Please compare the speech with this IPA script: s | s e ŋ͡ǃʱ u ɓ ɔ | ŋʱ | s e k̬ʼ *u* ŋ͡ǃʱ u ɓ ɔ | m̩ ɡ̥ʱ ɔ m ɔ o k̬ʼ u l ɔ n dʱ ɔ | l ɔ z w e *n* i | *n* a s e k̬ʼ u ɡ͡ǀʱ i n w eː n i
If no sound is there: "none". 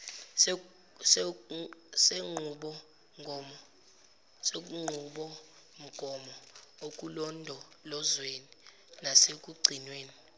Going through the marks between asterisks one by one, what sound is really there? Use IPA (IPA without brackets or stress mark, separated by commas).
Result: u, n, n